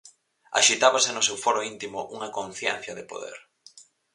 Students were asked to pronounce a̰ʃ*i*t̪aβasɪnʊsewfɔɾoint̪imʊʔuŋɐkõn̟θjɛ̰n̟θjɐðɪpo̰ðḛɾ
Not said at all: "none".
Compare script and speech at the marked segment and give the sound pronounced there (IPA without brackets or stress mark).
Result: i